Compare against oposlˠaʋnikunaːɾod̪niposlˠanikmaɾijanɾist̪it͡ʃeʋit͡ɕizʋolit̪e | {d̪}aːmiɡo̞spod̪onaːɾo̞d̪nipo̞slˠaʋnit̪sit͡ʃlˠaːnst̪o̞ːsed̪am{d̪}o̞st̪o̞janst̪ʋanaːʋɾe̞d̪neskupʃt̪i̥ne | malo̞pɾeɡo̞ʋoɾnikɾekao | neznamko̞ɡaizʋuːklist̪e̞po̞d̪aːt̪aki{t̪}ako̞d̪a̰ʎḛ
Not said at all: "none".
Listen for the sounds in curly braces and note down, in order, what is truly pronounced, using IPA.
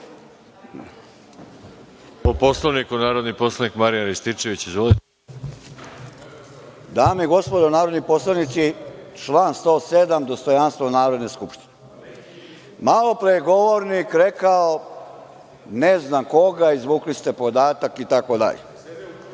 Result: d̪, d̪, t̪

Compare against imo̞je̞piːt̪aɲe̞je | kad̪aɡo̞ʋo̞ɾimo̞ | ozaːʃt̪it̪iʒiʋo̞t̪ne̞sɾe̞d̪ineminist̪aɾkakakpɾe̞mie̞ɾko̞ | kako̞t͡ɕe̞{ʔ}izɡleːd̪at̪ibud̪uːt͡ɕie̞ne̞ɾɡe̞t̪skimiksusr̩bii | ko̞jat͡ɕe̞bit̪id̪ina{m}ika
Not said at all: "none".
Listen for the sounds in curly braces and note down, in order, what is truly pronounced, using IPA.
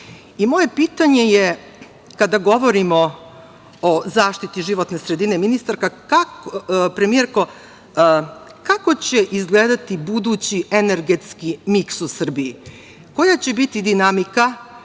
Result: ʔ, m

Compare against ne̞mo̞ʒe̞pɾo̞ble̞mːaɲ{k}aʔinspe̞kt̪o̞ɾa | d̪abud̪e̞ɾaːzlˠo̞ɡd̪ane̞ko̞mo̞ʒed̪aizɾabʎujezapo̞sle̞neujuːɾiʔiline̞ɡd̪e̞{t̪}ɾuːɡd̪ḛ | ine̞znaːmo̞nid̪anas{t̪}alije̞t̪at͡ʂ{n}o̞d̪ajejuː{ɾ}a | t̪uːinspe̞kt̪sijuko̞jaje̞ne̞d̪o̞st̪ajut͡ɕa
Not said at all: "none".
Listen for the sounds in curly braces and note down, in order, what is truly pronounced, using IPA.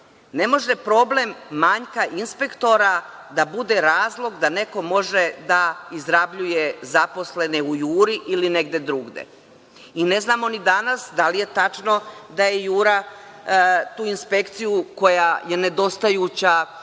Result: k, d̪, d̪, n, ɾ

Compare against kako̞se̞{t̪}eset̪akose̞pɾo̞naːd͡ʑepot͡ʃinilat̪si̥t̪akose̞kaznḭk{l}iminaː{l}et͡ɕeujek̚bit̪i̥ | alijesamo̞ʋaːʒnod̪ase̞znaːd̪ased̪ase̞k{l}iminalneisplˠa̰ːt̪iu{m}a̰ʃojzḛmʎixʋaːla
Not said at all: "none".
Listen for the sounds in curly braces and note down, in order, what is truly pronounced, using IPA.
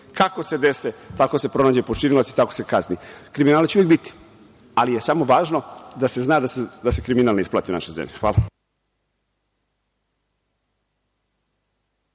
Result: d̪, ɾ, l, ɾ, n

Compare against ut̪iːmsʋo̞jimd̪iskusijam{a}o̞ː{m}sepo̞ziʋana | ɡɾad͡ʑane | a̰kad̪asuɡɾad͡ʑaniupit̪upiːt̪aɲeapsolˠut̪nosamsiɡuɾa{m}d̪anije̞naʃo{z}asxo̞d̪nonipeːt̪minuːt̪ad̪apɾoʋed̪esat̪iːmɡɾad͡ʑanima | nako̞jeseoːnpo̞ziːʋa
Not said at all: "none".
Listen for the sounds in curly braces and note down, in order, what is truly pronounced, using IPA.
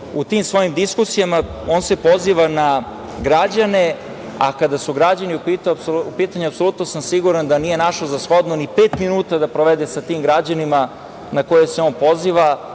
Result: a, n, n, z

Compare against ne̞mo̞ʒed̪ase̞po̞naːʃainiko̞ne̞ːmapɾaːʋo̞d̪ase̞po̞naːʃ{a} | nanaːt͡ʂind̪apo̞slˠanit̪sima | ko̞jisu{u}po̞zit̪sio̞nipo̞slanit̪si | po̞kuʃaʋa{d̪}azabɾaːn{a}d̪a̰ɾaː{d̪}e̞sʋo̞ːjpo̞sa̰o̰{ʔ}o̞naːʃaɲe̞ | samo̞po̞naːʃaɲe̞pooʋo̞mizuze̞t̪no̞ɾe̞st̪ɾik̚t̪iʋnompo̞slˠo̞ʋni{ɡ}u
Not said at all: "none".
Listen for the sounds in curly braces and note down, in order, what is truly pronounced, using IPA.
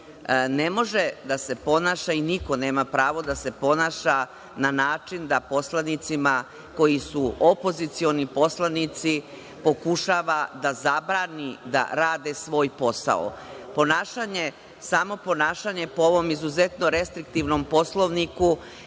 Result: a, o, d̪, i, d̪, p, k

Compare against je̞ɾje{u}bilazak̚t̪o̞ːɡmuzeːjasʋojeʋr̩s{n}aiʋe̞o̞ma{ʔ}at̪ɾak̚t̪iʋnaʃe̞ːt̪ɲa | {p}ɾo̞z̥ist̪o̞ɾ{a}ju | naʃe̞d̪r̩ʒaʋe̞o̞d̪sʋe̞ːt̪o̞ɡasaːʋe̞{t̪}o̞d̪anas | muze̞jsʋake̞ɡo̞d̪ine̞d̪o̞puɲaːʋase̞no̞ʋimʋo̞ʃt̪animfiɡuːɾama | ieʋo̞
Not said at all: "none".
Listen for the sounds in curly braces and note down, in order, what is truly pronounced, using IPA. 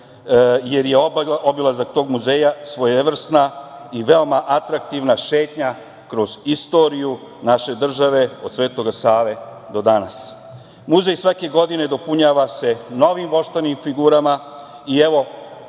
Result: o, n, ʔ, k, i, d̪

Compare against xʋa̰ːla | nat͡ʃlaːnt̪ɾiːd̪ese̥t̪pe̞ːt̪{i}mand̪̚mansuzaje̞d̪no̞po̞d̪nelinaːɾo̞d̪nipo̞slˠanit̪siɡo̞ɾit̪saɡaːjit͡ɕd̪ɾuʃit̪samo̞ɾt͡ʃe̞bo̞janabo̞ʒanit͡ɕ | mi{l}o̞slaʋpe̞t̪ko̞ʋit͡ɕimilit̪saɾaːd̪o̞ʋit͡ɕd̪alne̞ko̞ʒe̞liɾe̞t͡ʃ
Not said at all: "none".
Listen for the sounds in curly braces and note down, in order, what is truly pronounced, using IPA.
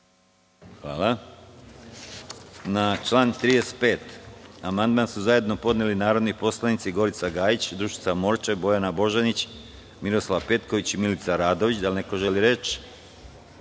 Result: a, ɾ

